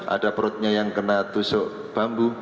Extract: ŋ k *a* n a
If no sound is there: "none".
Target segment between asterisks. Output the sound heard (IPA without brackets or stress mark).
ə